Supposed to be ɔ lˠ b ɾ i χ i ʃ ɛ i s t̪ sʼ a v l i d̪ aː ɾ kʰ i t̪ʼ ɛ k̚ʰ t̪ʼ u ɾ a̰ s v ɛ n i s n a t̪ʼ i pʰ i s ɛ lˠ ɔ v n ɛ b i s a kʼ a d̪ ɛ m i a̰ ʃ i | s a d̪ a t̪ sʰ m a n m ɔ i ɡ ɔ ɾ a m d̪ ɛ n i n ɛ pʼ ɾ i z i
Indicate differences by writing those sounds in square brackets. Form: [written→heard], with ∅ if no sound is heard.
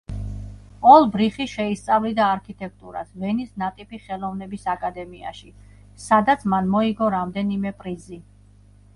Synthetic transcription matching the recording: ɔ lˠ b ɾ i χ i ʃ ɛ i s t̪ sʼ a v l i d̪ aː ɾ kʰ i t̪ʼ ɛ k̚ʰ t̪ʼ u ɾ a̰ s v ɛ n i s n a t̪ʼ i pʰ i [s→χ] ɛ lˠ ɔ v n ɛ b i s a kʼ a d̪ ɛ m i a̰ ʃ i | s a d̪ a t̪ sʰ m a n m ɔ i ɡ ɔ ɾ a m d̪ ɛ n i [n→m] ɛ pʼ ɾ i z i